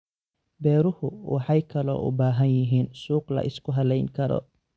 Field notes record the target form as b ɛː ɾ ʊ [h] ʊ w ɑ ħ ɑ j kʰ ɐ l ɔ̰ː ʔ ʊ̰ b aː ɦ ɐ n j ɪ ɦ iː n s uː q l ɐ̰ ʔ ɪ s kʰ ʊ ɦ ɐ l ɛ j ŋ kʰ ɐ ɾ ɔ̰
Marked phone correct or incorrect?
correct